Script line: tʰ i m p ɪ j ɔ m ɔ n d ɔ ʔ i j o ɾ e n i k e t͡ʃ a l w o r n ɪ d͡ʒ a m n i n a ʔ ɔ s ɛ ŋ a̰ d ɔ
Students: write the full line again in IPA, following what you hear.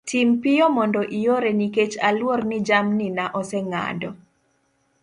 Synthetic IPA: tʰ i m p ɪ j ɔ m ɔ n d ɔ ʔ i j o ɾ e n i k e t͡ʃ a l w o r n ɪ d͡ʒ a m n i n a ʔ ɔ s ɛ ŋ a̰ d ɔ

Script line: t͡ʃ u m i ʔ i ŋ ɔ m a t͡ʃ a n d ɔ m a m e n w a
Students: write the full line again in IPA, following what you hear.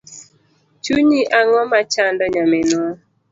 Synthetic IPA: t͡ʃ u ɲ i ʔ a ŋ ɔ m a t͡ʃ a n d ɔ ɲ a m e n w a

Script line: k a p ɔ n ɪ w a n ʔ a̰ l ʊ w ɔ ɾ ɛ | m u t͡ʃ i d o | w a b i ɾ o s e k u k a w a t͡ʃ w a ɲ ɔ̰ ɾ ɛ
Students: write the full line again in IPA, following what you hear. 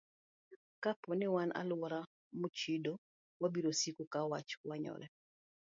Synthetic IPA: k a p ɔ n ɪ w a n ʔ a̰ l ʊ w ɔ ɾ a | m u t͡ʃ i d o | w a b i ɾ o s i k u k a w a t͡ʃ w a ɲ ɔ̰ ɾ ɛ

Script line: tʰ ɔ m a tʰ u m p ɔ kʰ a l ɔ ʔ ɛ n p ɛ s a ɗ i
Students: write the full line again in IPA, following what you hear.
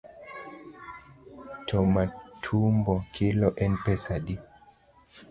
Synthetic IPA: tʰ ɔ m a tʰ u m b ɔ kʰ i l ɔ ʔ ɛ n p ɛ s a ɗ i

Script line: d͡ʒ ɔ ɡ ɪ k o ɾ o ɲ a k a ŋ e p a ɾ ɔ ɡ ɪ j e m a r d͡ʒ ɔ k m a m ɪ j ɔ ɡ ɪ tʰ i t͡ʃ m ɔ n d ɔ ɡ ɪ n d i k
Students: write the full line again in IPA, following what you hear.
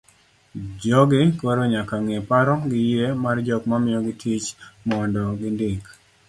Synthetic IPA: d͡ʒ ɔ ɡ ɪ k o ɾ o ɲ a k a ŋ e p a ɾ ɔ ɡ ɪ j e m a r d͡ʒ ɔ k m a m ɪ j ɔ ɡ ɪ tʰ i t͡ʃ m ɔ n d ɔ ɡ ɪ n d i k

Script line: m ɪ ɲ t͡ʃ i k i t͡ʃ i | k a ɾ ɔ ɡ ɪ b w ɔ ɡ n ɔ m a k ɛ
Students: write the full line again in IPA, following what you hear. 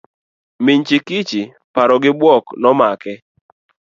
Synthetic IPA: m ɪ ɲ t͡ʃ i k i t͡ʃ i | p a ɾ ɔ ɡ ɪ b w ɔ k n ɔ m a k ɛ

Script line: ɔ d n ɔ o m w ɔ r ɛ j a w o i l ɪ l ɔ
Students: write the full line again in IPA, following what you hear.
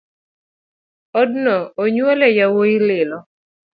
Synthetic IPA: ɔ d n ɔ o ɲ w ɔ l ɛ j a w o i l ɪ l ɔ

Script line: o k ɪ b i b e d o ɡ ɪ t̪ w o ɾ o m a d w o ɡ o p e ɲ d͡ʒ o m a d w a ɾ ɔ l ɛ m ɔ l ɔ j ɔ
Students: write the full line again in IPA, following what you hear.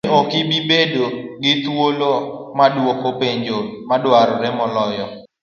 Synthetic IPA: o k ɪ b i b e d o ɡ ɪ t̪ w o l o m a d w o k o p e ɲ d͡ʒ o m a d w a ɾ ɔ ɾ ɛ m ɔ l ɔ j ɔ

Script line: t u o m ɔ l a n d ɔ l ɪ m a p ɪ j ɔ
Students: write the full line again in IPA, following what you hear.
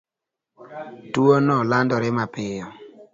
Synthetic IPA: t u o n ɔ l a n d ɔ ɾ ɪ m a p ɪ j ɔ

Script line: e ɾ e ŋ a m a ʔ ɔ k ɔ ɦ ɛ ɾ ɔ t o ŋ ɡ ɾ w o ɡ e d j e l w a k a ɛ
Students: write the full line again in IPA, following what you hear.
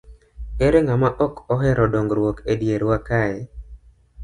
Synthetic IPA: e ɾ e ŋ a m a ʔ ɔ k ɔ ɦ ɛ ɾ ɔ d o ŋ ɡ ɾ w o k e d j e ɾ w a k a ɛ

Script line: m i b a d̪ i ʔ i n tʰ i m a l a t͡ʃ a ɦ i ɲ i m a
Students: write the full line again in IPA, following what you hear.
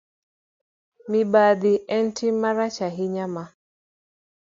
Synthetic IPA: m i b a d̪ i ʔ ɛ n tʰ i m a ɾ a t͡ʃ a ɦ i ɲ a m a

